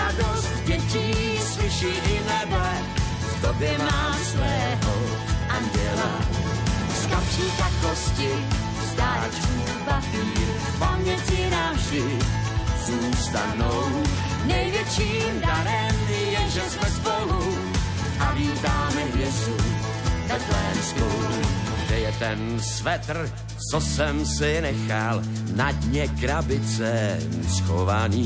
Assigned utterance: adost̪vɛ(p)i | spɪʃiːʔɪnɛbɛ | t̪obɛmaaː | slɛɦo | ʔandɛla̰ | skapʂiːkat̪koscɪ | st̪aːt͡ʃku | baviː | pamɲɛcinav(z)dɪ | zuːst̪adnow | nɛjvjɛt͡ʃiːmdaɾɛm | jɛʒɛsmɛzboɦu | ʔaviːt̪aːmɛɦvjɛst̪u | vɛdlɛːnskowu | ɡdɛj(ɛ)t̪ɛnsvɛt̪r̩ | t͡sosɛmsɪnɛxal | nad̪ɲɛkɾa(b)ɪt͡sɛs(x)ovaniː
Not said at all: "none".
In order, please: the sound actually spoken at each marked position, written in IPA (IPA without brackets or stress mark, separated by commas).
c, ʒ, ɛ, b, x